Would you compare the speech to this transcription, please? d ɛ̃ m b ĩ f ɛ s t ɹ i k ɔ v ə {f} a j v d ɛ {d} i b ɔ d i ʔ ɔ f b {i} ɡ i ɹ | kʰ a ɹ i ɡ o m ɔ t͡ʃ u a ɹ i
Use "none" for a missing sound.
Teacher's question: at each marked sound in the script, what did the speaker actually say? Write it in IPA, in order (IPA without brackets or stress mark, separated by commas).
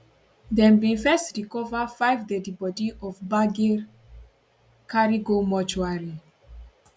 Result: f, d, a